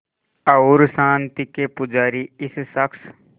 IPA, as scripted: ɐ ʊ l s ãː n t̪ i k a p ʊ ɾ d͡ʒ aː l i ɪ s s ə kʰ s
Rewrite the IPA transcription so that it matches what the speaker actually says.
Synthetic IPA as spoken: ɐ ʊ ɾ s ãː n t̪ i k e p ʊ d͡ʒ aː ɾ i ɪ s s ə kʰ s